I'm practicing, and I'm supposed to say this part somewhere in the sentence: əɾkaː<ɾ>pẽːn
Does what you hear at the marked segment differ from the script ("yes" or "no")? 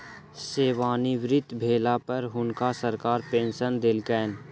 no